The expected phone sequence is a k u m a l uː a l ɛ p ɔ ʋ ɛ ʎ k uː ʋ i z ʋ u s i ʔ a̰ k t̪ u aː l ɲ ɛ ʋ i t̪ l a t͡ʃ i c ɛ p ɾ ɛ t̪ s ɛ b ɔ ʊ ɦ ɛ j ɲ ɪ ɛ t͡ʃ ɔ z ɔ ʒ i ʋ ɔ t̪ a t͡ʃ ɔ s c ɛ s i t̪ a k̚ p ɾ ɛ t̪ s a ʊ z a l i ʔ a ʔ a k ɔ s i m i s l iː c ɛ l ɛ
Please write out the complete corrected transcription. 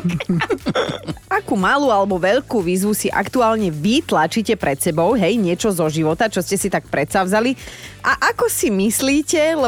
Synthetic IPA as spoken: a k u m a l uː a l ɛ b ɔ ʋ ɛ ʎ k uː ʋ iː z ʋ u s i ʔ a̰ k t̪ u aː l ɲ ɛ ʋ i t̪ l a t͡ʃ i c ɛ p ɾ ɛ t̪ s ɛ b ɔ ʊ ɦ ɛ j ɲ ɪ ɛ t͡ʃ ɔ z ɔ ʒ i ʋ ɔ t̪ a t͡ʃ ɔ s c ɛ s i t̪ a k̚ p ɾ ɛ t̪ s a ʊ z a l i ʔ a ʔ a k ɔ s i m i s l iː c ɛ l ɛ